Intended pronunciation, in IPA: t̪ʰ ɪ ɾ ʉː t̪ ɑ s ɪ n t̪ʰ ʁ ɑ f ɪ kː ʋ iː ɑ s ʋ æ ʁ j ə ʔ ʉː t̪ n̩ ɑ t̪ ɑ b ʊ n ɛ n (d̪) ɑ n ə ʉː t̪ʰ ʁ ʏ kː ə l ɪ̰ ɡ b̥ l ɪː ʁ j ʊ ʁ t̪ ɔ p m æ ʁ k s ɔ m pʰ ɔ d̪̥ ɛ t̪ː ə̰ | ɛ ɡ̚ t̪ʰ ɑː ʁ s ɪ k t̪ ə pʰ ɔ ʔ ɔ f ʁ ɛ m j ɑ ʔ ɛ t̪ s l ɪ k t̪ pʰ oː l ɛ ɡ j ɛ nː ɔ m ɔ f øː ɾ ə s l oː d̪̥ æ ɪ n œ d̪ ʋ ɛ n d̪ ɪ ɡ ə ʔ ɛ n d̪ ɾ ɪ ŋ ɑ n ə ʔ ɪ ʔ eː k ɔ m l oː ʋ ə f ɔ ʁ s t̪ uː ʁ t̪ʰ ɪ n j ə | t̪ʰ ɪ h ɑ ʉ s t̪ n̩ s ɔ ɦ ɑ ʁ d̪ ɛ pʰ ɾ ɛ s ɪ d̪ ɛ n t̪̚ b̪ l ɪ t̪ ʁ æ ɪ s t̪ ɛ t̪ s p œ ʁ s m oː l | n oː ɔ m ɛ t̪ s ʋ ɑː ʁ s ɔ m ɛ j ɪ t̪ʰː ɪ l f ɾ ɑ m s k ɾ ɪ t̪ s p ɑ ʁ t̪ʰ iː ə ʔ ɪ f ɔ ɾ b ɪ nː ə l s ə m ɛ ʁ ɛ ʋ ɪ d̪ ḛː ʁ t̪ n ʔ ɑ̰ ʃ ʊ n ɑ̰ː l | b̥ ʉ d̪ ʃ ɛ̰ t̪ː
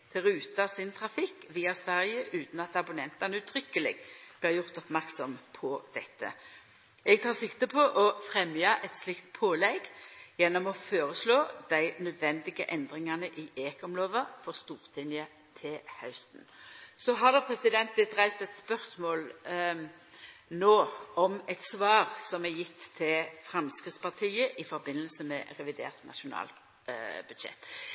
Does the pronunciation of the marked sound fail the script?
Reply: yes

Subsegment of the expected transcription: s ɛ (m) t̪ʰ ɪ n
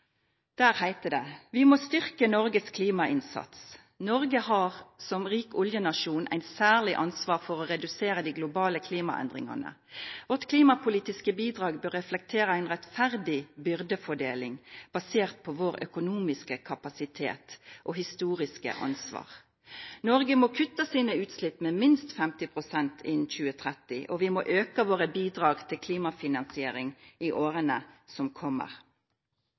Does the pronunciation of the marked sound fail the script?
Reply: yes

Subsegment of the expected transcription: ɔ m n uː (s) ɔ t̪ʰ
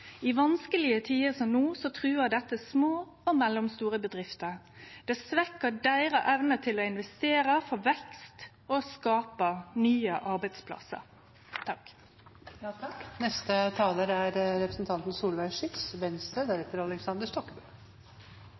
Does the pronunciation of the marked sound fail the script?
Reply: no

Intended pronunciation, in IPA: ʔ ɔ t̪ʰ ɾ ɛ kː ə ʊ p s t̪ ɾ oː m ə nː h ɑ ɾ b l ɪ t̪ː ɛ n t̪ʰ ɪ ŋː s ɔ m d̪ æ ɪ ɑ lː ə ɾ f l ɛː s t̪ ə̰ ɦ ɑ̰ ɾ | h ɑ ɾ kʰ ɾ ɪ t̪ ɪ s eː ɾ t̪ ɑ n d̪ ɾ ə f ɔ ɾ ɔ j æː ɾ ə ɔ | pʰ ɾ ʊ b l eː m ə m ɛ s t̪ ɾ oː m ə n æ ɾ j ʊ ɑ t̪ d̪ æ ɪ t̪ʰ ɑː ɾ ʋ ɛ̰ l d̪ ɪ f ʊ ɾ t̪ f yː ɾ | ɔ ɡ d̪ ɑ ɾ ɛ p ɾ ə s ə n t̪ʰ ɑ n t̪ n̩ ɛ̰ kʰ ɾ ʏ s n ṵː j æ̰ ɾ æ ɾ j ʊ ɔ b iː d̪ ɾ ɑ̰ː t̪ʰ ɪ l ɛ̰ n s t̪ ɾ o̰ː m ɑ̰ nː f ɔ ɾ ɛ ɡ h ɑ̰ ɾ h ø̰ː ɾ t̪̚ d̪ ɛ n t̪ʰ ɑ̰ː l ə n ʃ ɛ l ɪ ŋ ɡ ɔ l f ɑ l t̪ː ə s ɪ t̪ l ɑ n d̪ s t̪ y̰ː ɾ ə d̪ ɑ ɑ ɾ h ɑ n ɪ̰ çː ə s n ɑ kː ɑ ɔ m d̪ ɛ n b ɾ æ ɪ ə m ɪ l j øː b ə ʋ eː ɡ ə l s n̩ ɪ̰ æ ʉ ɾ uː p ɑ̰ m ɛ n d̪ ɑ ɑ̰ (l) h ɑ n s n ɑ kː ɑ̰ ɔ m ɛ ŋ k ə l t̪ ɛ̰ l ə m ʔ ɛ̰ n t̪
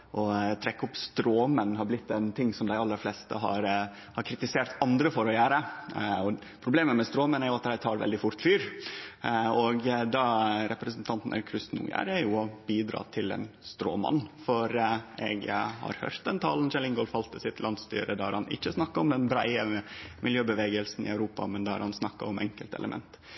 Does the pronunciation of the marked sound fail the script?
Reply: yes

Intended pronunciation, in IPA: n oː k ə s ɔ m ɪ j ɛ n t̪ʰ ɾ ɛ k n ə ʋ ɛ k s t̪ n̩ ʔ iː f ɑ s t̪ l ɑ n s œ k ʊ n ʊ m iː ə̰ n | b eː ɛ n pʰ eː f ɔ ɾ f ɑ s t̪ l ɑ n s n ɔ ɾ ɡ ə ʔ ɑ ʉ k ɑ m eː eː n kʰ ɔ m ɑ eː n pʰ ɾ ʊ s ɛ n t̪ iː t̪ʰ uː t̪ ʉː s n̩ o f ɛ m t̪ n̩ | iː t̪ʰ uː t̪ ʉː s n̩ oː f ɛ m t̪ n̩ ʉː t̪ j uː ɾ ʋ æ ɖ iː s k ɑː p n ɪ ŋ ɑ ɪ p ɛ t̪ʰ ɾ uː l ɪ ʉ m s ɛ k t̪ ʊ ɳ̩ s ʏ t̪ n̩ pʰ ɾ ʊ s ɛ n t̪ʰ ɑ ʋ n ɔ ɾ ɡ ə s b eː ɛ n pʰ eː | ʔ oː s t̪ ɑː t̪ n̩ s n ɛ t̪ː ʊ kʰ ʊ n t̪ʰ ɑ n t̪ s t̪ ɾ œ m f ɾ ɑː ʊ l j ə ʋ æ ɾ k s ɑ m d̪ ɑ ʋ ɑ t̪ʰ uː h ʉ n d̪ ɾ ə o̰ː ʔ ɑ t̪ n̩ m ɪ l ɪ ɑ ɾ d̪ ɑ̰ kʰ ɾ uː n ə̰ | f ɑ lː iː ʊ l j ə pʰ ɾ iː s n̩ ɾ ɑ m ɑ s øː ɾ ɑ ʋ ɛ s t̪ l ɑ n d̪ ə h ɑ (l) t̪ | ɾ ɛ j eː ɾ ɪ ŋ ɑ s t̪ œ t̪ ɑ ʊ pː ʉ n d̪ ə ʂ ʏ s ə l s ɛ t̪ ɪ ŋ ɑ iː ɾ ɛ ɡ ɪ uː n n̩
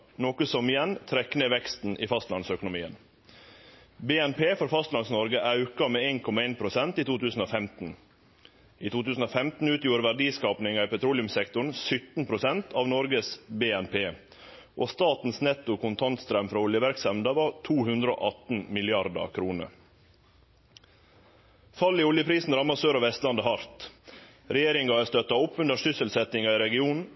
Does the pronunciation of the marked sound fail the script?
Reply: yes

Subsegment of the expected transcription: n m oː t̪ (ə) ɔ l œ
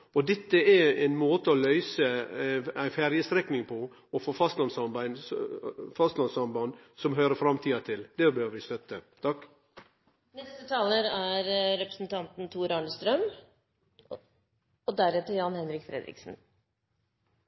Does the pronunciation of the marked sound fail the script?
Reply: no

